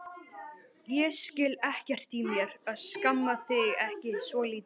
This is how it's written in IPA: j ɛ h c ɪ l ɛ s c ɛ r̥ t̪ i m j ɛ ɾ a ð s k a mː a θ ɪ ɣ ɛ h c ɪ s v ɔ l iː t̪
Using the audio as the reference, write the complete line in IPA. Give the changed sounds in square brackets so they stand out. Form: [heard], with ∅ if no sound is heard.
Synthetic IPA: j ɛ [s] c ɪ l ɛ [h] c ɛ r̥ t̪ i m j ɛ ɾ a ð s k a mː a θ ɪ ɣ ɛ h c ɪ s v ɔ l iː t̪